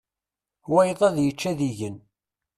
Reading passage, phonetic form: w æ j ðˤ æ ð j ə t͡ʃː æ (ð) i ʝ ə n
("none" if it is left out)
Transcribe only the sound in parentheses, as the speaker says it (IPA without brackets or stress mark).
ð